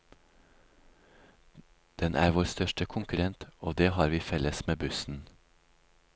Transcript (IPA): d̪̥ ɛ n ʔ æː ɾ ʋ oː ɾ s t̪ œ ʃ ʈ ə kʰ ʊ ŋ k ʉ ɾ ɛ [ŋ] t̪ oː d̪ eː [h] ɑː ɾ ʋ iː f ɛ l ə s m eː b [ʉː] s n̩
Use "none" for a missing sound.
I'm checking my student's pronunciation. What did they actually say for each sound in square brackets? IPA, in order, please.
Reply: n, h, ʉ

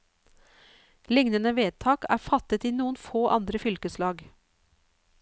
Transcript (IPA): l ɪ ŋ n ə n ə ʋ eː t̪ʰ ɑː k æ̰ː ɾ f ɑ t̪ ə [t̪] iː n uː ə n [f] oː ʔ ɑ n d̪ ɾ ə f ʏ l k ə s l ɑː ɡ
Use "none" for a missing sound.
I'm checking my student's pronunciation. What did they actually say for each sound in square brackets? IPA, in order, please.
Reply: t̪, f

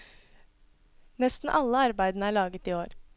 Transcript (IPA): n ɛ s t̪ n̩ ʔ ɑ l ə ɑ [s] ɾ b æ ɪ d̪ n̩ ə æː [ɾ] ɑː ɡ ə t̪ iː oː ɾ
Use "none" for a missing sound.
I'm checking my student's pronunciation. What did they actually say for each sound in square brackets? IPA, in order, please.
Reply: none, ɭ

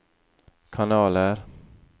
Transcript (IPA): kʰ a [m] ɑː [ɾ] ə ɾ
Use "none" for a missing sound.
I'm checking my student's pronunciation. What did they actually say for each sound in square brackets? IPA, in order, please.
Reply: n, l

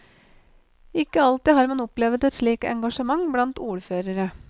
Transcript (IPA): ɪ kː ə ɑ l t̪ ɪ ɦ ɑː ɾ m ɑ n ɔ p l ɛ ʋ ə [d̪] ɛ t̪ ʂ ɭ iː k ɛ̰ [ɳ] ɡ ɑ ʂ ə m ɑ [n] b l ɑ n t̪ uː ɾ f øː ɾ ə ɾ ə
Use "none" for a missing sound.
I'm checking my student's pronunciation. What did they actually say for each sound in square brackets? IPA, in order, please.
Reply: t̪, ŋ, ŋ

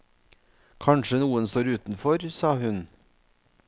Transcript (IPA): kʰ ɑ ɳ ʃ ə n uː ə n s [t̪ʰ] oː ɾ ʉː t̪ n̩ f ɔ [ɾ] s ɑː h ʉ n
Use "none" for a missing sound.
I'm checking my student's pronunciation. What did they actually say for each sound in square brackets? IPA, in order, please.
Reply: t̪, ɾ

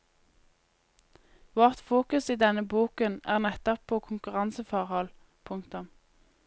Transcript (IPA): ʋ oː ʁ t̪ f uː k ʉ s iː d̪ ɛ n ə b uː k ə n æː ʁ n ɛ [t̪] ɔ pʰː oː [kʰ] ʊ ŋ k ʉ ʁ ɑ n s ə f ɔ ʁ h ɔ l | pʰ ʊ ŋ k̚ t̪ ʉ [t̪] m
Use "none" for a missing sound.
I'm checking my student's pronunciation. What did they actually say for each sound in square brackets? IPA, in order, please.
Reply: t̪, kʰ, none

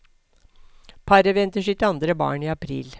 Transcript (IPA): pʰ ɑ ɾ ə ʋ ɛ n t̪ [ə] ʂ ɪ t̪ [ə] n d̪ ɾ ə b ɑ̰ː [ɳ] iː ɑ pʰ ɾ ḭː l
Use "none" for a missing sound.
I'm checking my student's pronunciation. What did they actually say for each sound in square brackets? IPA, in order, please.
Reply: ə, ɑ, ɳ

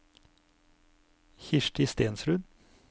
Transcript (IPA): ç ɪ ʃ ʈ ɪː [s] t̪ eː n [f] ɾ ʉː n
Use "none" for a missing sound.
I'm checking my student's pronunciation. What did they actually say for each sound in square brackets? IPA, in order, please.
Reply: s, s

